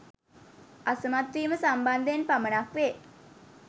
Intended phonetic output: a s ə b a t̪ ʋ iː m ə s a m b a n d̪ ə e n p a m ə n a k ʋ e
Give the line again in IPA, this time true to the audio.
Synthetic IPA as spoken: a s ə m a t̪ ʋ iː m ə s a m b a n d̪ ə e n p a m ə n a k ʋ e